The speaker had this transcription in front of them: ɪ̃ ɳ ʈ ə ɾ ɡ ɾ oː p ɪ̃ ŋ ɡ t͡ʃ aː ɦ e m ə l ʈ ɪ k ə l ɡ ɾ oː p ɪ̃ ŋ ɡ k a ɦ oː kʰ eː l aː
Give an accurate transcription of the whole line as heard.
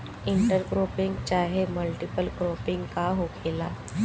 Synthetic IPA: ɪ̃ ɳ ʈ ə ɾ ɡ ɾ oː p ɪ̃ ŋ ɡ t͡ʃ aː ɦ e m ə l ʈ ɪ p ə l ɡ ɾ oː p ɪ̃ ŋ ɡ k a ɦ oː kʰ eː l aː